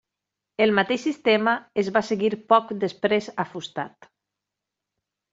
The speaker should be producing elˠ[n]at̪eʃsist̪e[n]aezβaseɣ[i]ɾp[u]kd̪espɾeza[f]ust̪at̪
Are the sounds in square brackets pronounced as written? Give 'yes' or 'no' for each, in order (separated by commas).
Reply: no, no, yes, no, yes